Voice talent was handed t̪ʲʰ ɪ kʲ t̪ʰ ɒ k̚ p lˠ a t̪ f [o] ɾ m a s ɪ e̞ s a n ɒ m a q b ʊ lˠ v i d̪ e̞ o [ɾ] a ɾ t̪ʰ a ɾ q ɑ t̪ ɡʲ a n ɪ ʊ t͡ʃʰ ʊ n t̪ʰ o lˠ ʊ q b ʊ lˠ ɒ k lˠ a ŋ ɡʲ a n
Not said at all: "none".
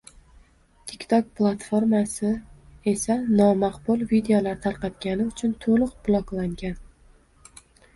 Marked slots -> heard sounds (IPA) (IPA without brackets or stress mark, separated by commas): o, l